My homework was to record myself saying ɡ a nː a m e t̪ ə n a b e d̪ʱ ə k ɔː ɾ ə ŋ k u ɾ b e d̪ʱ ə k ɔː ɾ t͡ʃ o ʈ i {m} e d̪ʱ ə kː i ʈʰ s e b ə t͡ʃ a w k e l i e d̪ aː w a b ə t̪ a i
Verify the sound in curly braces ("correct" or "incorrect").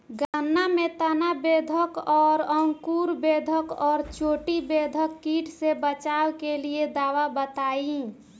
incorrect